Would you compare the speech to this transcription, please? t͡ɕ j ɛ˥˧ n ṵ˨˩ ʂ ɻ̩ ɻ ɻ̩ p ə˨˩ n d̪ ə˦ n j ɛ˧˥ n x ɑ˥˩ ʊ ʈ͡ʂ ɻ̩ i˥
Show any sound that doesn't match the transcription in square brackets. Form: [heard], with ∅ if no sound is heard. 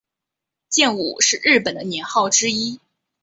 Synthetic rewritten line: t͡ɕ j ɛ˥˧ n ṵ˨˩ ʂ ɻ̩ ɻ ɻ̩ p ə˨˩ n d̪ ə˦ n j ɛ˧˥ n x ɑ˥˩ ʊ ʈ͡ʂ ɻ̩ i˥